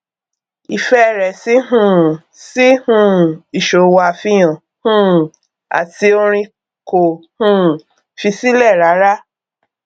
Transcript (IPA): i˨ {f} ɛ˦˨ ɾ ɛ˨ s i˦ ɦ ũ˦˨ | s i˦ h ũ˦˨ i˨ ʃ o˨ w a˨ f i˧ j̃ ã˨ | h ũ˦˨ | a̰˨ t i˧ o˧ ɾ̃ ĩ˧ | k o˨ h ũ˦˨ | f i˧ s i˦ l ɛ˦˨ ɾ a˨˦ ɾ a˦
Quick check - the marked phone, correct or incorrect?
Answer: correct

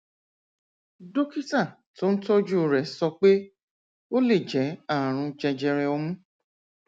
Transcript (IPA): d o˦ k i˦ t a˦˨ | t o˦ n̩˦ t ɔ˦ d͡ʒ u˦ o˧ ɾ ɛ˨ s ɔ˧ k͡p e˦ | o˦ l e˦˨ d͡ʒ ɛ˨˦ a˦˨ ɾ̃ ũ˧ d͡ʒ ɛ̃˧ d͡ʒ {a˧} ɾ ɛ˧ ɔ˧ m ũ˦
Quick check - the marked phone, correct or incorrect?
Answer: incorrect: ɛ˧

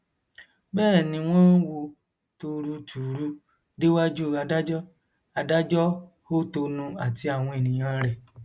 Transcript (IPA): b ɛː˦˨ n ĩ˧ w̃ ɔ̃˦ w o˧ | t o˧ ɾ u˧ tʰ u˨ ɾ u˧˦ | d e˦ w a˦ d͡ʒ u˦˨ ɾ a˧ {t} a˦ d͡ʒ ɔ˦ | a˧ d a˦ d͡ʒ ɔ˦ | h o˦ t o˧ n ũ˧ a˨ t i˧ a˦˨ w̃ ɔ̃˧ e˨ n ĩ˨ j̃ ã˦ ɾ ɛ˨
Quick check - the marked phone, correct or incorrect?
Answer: incorrect: d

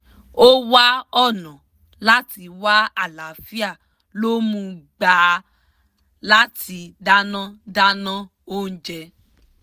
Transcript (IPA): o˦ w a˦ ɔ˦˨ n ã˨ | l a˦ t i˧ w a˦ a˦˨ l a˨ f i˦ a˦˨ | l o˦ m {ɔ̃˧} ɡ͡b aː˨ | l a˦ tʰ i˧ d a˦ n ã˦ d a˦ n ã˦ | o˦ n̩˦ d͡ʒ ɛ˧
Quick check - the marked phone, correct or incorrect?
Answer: incorrect: ũ˧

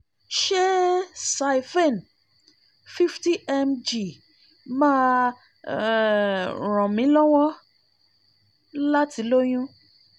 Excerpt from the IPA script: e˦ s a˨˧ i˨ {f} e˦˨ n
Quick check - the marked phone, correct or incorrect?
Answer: correct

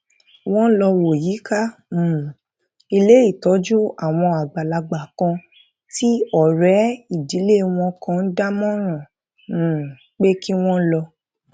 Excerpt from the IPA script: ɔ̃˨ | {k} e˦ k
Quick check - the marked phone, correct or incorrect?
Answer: incorrect: k͡p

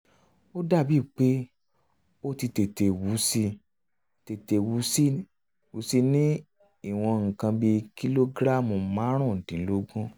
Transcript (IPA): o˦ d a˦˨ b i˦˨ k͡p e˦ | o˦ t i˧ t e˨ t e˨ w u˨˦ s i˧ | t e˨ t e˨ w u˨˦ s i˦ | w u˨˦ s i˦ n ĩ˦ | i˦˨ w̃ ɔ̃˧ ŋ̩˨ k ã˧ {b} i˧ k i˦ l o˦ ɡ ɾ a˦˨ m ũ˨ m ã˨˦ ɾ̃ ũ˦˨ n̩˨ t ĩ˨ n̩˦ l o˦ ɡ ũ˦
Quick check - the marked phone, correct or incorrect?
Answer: correct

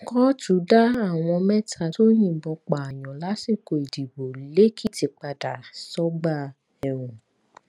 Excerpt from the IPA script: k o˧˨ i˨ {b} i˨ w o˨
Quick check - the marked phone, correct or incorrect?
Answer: incorrect: d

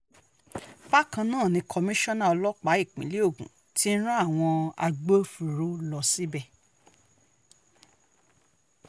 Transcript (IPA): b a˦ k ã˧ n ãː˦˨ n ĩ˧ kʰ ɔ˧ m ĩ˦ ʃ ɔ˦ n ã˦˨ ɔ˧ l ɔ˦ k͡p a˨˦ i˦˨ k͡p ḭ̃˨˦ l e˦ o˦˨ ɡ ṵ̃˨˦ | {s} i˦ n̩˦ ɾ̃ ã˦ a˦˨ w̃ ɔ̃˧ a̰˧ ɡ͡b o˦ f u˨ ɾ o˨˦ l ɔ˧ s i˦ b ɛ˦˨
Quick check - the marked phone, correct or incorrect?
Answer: incorrect: t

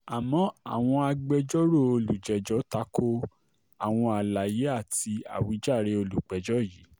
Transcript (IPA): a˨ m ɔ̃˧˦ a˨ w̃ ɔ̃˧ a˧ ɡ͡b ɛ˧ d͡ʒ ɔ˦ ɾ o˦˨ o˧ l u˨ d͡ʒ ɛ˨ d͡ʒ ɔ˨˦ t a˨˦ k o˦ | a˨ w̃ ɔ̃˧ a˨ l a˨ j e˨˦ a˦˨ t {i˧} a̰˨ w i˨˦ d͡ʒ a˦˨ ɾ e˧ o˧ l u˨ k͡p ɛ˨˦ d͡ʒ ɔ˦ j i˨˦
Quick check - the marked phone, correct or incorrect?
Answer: correct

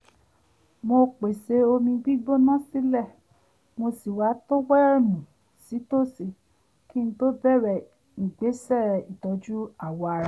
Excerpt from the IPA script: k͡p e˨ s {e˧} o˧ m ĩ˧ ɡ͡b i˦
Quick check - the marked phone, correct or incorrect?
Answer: correct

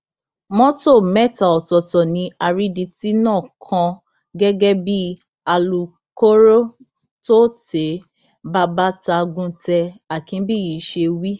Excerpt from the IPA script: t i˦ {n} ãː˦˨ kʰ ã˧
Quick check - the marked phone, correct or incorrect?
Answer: correct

